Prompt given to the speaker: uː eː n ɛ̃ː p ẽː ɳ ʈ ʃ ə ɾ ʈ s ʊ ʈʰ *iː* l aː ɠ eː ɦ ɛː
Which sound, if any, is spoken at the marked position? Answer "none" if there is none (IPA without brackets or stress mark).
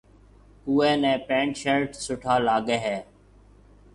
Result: aː